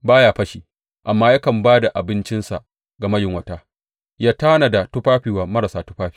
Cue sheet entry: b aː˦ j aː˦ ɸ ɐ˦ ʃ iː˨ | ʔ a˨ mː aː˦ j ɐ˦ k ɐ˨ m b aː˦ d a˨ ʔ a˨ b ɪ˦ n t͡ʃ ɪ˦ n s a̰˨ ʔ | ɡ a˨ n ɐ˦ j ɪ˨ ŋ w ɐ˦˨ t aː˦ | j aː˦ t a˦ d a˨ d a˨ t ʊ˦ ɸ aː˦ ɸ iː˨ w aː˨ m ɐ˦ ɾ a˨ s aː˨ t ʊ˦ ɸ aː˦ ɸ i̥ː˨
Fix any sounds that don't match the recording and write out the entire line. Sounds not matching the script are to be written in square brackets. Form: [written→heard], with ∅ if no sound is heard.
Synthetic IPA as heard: b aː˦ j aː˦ ɸ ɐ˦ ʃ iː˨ | ʔ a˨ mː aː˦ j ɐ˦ k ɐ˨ m b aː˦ d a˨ ʔ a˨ b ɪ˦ n t͡ʃ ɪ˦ n s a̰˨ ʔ | ɡ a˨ [n→m] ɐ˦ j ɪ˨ ŋ w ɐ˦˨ t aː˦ | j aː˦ t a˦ [d→n] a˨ d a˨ t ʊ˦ ɸ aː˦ ɸ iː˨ w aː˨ m ɐ˦ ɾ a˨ s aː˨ t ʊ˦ ɸ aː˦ ɸ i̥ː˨